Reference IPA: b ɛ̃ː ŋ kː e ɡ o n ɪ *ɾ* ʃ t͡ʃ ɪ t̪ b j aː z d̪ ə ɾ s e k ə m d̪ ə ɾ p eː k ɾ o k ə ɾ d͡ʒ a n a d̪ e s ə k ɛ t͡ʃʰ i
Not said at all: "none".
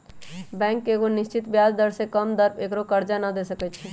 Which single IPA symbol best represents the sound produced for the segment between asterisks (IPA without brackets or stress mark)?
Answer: none